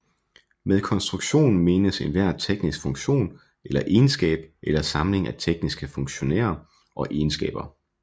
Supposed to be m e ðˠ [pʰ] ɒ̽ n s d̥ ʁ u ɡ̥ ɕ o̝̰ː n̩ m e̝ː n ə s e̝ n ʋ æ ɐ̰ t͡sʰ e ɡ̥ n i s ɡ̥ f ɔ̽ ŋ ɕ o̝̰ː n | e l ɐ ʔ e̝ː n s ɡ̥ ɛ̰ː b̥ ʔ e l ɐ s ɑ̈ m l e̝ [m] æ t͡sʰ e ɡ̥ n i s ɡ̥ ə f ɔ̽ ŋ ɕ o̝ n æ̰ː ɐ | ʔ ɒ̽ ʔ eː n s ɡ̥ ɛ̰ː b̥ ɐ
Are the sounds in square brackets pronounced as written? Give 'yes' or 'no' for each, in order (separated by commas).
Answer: no, no